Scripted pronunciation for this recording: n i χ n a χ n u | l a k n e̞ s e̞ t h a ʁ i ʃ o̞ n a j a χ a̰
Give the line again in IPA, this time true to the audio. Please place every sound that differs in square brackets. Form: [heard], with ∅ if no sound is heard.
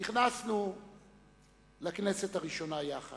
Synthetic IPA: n i χ n a [s] n u | l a k n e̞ s e̞ t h a ʁ i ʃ o̞ n a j a χ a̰

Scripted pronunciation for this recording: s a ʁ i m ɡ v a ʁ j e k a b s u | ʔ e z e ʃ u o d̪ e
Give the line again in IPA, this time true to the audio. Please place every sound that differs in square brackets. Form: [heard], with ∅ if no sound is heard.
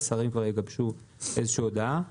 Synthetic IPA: s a ʁ i m [k] v a ʁ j e [ɡ] a b [ʃ] u | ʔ e z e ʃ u o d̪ [a]

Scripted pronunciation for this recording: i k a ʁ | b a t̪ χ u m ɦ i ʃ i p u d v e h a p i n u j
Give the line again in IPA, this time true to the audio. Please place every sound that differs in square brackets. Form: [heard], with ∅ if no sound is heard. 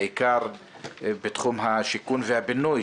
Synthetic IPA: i k a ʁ | b [e] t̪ χ u m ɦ [a] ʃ i [k] u [n] v e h a [b] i n u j

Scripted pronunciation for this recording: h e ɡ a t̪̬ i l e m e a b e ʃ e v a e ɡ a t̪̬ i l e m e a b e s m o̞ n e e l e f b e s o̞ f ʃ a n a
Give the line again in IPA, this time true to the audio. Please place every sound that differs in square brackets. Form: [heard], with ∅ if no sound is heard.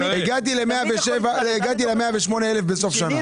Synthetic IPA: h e ɡ a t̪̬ i l e m e a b e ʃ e v a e ɡ a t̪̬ i l e m e a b e [ʃ] m o̞ n e e l e f b e s o̞ f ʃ a n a

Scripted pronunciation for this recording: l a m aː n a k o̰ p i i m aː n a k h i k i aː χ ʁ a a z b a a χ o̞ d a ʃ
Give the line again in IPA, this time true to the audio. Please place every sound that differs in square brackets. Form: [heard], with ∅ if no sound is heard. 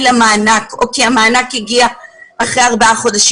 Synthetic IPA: l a m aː n a k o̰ [k] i [a] m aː n a k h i [ɡ] i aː χ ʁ [e] a [ʁ] b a a χ o̞ d a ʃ

